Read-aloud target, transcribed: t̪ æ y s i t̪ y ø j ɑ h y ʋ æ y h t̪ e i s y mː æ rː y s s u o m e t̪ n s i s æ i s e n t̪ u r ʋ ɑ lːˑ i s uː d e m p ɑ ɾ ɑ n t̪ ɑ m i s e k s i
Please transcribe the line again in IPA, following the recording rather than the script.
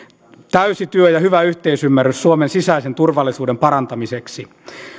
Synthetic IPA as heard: t̪ æ y s i t̪ y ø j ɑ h y ʋ æ y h t̪ e i s y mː æ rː y s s u o m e n s i s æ i s e n t̪ u r ʋ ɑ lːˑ i s uː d e m p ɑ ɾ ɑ n t̪ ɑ m i s e k s i